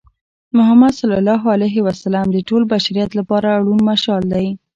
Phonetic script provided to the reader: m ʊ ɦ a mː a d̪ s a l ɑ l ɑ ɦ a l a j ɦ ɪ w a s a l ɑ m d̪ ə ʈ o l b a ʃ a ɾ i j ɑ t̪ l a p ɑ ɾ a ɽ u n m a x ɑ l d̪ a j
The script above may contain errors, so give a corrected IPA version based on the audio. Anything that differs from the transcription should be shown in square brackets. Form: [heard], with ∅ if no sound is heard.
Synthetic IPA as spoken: m ʊ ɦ a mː a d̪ s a l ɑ l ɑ ɦ a l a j ɦ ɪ w a s a l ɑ m d̪ ə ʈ o l b a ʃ a ɾ i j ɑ t̪ l a p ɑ ɾ a ɽ u n m a [ʃ] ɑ l d̪ a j